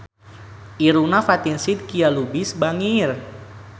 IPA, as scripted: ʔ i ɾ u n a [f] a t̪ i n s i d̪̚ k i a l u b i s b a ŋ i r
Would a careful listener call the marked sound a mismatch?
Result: no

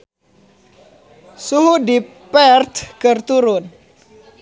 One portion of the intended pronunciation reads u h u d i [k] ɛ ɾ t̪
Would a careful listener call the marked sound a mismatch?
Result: yes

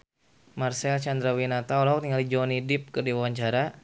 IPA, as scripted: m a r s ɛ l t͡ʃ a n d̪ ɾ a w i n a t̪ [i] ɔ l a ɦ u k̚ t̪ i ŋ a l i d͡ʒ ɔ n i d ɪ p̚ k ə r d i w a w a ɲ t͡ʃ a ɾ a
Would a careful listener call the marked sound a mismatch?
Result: yes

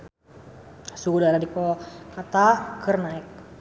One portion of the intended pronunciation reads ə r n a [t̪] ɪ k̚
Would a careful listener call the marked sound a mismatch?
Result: yes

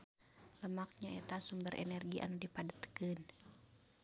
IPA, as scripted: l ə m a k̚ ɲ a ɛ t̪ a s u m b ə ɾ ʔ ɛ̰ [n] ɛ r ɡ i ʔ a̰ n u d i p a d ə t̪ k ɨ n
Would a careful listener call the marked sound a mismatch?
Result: no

